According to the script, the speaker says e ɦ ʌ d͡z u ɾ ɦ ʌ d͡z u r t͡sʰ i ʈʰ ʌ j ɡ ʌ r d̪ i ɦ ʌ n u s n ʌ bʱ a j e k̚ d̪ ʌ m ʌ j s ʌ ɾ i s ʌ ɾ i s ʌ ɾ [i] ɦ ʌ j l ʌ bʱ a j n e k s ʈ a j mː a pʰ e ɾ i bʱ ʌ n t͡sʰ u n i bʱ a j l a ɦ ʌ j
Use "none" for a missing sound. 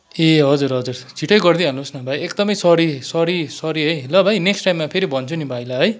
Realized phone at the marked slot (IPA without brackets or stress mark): i